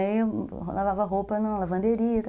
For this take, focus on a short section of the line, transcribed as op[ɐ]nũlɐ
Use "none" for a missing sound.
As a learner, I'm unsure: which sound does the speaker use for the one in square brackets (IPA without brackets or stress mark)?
ɐ